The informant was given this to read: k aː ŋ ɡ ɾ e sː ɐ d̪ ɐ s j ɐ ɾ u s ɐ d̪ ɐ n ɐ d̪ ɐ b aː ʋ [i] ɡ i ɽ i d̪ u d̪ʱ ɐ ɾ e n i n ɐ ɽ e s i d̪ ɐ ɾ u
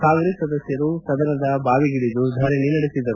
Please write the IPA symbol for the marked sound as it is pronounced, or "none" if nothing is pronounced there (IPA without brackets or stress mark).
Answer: i